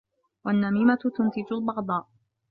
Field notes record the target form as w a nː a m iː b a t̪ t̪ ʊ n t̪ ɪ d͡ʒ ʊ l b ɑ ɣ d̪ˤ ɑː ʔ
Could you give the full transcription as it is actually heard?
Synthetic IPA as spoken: w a nː a m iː m a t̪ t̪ ʊ n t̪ ɪ d͡ʒ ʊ l b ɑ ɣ d̪ˤ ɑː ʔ